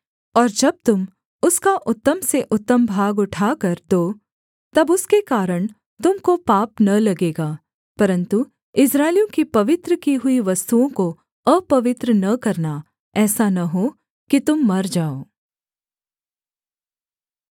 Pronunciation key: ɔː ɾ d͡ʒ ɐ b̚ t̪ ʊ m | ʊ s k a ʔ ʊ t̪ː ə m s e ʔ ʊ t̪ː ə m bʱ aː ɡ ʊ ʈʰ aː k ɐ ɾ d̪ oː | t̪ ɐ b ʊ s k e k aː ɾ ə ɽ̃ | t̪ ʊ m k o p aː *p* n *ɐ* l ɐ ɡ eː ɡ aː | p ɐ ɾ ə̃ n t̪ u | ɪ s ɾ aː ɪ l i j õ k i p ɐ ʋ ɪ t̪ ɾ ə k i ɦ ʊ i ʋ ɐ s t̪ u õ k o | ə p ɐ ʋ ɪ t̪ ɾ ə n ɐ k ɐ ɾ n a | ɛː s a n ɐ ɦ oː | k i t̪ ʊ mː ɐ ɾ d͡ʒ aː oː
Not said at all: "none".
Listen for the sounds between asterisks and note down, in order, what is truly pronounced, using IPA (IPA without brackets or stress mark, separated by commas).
p, ɐ